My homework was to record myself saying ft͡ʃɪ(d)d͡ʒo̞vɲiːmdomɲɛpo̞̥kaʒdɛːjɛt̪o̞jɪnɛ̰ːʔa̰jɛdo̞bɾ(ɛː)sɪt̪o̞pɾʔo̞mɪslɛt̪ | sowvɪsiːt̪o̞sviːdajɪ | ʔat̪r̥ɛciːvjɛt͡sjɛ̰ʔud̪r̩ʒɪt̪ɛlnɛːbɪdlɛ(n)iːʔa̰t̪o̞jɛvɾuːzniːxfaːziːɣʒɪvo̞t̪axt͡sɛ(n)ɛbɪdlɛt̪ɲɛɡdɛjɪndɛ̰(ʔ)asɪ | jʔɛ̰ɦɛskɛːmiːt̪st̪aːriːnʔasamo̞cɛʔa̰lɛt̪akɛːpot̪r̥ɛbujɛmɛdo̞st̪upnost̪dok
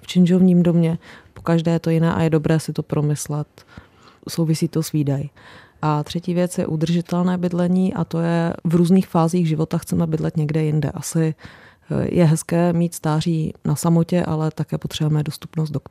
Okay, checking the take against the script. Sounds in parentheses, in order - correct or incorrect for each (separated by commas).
incorrect, correct, incorrect, incorrect, correct